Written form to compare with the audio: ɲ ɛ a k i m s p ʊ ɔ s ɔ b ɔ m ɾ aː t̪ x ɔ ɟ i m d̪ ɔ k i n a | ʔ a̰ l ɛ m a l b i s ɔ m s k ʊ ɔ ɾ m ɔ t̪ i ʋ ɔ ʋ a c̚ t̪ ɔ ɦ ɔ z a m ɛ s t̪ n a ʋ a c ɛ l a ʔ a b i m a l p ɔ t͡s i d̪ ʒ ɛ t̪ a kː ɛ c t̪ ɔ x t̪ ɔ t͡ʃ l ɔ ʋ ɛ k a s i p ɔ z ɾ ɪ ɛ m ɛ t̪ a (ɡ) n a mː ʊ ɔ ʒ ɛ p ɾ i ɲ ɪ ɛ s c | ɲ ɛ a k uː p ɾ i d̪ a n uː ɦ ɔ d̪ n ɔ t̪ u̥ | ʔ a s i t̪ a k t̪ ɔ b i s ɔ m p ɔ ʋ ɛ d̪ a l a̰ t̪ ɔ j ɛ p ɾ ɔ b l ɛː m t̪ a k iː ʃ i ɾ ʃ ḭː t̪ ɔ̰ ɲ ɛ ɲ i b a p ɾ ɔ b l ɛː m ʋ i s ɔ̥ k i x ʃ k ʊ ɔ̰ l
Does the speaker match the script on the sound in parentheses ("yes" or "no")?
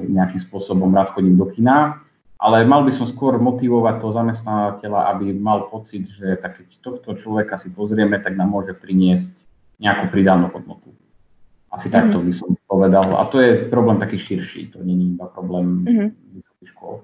yes